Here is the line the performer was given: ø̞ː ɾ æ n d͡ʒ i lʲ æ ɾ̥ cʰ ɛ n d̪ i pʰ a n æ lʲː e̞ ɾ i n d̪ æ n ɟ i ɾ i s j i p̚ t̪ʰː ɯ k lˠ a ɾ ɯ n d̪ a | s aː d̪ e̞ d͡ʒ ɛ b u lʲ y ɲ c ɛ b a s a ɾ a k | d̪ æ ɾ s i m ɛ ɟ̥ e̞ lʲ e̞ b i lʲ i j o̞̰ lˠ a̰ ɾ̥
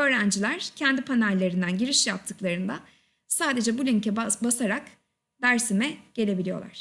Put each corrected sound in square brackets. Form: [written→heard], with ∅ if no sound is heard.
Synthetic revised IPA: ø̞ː ɾ æ n d͡ʒ i lʲ æ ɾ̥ cʰ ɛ n d̪ i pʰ a n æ lʲː e̞ ɾ i n d̪ æ n ɟ i ɾ i [s→ʃ] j [i→a] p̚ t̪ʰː ɯ k lˠ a ɾ ɯ n d̪ a | s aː d̪ e̞ d͡ʒ ɛ b u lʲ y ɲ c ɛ b a s a ɾ a k | d̪ æ ɾ s i m ɛ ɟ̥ e̞ lʲ e̞ b i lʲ i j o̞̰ lˠ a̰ ɾ̥

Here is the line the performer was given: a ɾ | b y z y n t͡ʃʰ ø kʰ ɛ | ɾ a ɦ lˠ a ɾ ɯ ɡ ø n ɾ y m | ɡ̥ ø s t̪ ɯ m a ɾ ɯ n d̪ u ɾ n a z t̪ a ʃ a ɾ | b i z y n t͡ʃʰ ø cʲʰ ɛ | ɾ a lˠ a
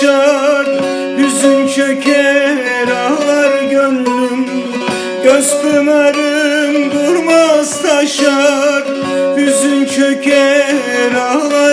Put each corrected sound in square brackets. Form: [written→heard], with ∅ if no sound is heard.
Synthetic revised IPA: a ɾ | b y z y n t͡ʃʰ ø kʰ ɛ | ɾ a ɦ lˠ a ɾ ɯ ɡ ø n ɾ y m | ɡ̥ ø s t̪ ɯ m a ɾ ɯ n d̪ u ɾ [n→m] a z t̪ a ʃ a ɾ | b [i→y] z y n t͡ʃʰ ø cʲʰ ɛ | ɾ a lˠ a

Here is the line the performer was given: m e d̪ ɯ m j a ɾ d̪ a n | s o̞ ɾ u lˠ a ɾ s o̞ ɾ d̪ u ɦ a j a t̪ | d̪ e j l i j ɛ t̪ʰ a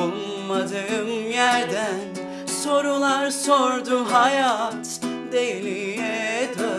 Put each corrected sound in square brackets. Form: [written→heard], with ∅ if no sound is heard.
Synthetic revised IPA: m [e→a] d̪ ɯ m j [a→æ] ɾ d̪ [a→æ] n | s o̞ ɾ u lˠ a ɾ s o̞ ɾ d̪ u ɦ a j a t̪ | d̪ e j l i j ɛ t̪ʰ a

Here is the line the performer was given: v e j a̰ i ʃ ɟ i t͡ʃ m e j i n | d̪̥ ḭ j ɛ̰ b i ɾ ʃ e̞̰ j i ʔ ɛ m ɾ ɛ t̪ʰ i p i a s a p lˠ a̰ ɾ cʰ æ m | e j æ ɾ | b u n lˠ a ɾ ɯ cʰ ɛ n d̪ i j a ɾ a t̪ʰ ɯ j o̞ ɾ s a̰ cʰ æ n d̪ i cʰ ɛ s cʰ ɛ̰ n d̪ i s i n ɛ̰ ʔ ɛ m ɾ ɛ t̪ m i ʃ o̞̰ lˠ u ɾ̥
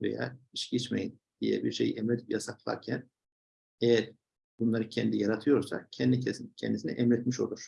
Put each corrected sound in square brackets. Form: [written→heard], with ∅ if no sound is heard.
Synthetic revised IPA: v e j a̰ i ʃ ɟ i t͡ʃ m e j i n | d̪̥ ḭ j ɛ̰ b i ɾ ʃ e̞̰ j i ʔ ɛ m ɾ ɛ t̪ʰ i p [i→j] a s a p lˠ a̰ ɾ cʰ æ [m→n] | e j æ ɾ | b u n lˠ a ɾ ɯ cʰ ɛ n d̪ i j a ɾ a t̪ʰ ɯ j o̞ ɾ s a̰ cʰ [æ→ɛ] n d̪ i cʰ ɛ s cʰ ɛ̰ n d̪ i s i n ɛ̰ ʔ ɛ m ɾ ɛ t̪ m i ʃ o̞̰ lˠ u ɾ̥

